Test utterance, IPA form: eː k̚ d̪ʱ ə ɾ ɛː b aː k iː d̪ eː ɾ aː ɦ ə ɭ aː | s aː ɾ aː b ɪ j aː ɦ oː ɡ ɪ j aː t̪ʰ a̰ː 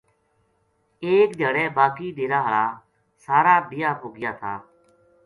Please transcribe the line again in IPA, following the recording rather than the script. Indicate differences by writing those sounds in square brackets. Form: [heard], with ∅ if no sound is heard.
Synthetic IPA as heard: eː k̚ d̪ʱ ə [ɽ] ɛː b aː k iː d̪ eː ɾ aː ɦ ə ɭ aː | s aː ɾ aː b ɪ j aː ɦ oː ɡ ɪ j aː t̪ʰ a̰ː